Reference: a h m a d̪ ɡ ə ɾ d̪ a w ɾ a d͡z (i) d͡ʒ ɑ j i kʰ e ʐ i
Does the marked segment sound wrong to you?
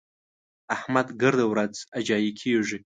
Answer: yes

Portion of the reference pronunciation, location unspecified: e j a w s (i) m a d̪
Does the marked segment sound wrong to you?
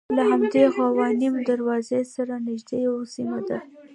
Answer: no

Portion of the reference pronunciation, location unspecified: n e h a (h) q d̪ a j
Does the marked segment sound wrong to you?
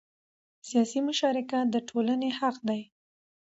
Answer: yes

